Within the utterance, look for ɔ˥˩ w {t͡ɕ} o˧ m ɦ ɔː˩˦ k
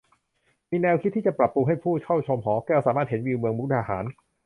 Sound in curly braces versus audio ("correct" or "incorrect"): incorrect